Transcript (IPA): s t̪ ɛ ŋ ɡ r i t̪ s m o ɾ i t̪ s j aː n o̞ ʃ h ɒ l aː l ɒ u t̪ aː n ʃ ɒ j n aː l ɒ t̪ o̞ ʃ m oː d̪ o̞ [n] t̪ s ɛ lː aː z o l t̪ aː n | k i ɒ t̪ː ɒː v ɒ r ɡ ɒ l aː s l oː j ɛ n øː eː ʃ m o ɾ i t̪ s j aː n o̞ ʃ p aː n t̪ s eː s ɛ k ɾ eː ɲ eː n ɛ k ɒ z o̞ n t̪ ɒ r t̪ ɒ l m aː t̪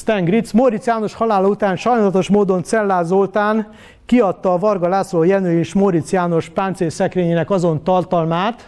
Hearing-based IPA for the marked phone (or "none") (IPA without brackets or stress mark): n